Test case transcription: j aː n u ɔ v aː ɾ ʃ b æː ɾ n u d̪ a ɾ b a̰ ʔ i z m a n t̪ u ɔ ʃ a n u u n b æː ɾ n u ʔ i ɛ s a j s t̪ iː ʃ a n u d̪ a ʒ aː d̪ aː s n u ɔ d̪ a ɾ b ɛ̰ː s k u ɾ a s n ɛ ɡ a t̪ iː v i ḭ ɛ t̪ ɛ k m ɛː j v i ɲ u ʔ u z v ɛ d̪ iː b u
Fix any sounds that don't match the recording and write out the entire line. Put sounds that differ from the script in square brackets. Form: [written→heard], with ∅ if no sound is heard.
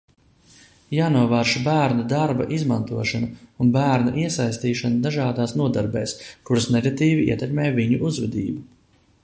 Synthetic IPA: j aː n u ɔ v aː ɾ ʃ b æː ɾ n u d̪ a ɾ b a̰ ʔ i z m a n t̪ u ɔ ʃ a n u u n b æː ɾ n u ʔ i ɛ s a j s t̪ iː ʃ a n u d̪ a ʒ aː d̪ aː s n u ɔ d̪ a ɾ b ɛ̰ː s k u ɾ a s n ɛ ɡ a t̪ iː v i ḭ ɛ t̪ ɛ k m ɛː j v i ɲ u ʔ u z v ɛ d̪ iː b u

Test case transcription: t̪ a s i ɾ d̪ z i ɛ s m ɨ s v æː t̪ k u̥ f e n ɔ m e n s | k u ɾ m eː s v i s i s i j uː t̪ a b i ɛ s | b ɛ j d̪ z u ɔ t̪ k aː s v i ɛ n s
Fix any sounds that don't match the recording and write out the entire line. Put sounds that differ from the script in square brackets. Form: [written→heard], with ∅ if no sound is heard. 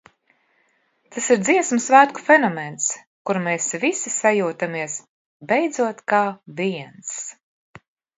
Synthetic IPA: t̪ a s i ɾ d̪ z i ɛ s m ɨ s v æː t̪ k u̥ f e n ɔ m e n s | k u ɾ m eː s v i s i s [i→a] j uː t̪ a [b→m] i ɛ s | b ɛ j d̪ z u ɔ t̪ k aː [s→∅] v i ɛ n s

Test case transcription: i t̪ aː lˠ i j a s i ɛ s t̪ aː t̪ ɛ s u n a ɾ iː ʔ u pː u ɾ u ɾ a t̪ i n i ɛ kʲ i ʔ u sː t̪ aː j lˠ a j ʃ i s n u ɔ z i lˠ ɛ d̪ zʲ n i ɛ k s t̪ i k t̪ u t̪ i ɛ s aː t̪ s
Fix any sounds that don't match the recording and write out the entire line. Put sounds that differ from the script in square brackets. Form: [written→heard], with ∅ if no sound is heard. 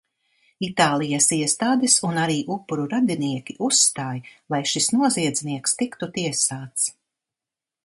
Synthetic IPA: i t̪ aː lˠ i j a s i ɛ s t̪ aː [t̪→d̪] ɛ s u n a ɾ iː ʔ u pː u ɾ u ɾ a [t̪→d̪] i n i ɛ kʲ i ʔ u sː t̪ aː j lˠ a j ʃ i s n u ɔ z i [lˠ→∅] ɛ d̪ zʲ n i ɛ k s t̪ i k t̪ u t̪ i ɛ s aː t̪ s

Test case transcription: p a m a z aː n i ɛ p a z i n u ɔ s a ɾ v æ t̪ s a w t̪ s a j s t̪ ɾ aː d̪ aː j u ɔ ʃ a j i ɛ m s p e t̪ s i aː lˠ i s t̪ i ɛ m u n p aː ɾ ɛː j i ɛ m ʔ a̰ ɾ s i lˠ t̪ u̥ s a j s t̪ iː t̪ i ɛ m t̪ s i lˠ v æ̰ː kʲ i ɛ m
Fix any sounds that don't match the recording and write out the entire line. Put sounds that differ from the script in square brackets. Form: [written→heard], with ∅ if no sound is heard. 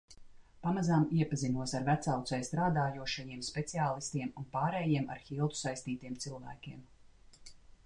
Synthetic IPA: p a m a z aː [n→m] i ɛ p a z i n u ɔ s a ɾ v æ t̪ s a w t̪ s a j s t̪ ɾ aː d̪ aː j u ɔ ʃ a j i ɛ m s p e t̪ s i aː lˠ i s t̪ i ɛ m u n p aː ɾ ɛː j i ɛ m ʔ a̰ ɾ [s→x] i lˠ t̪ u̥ s a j s t̪ iː t̪ i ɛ m t̪ s i lˠ v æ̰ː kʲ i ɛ m

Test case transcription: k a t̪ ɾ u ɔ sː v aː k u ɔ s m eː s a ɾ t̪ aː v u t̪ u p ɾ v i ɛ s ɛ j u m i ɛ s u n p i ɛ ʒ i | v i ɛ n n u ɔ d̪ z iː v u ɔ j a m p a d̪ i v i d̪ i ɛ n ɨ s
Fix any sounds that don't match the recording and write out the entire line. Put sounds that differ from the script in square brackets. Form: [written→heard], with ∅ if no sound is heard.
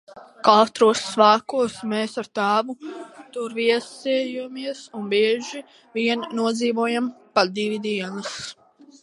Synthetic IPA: k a t̪ ɾ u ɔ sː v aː k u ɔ s m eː s a ɾ t̪ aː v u t̪ u [p→∅] ɾ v i ɛ s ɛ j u m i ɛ s u n [p→b] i ɛ ʒ i | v i ɛ n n u ɔ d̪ z iː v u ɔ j a m p a d̪ i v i d̪ i ɛ n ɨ s

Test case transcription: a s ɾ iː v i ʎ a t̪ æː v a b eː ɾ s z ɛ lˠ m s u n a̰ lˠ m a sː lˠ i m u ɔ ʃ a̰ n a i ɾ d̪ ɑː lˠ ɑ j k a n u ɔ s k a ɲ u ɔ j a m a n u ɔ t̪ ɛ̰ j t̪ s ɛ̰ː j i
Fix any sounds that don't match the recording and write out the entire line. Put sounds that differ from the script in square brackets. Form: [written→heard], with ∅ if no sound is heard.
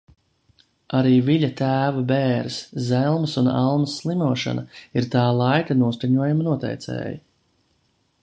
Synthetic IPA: a [s→∅] ɾ iː v i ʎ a t̪ æː v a b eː ɾ s z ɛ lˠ m s u n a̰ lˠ m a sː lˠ i m u ɔ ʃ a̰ n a i ɾ [d̪→t̪] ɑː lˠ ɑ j k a n u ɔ s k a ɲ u ɔ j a m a n u ɔ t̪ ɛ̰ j t̪ s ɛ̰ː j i

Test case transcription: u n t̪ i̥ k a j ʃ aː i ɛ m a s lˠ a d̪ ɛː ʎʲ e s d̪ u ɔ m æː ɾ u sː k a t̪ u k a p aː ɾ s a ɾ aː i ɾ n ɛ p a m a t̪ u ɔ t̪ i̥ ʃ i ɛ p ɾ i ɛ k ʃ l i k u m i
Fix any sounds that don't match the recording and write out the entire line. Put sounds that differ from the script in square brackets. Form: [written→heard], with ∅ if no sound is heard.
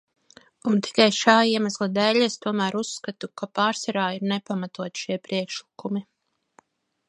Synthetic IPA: u n t̪ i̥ k a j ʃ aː i ɛ m a s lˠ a d̪ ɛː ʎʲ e s [d̪→t̪] u ɔ m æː ɾ u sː k a t̪ u k a p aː ɾ s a ɾ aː i ɾ n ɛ p a m a t̪ u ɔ t̪ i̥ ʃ i ɛ p ɾ i ɛ k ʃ l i k u m i

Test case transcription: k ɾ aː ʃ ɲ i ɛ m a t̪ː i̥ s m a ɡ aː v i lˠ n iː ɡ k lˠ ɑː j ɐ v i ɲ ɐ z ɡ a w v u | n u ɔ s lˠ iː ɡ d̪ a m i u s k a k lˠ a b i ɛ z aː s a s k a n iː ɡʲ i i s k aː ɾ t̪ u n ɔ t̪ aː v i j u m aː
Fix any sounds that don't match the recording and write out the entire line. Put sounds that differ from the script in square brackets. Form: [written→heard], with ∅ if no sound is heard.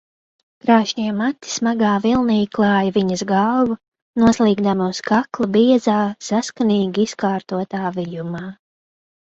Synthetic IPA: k ɾ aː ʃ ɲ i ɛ m a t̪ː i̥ s m a ɡ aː v i lˠ n iː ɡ k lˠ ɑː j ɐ v i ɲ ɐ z ɡ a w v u | n u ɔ s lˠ iː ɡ d̪ a m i u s k a k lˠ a b i ɛ z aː s a s k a n iː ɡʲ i i s k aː ɾ t̪ u [n→∅] ɔ t̪ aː v i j u m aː

